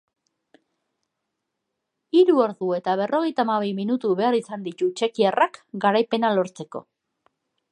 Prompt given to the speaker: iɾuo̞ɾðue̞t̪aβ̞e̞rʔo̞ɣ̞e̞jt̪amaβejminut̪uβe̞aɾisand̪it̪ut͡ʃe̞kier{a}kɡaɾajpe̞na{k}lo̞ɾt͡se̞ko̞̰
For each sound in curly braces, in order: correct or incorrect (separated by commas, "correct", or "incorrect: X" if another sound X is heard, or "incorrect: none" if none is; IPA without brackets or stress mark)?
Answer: correct, incorrect: none